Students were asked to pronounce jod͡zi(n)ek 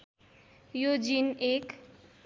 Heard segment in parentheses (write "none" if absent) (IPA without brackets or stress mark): n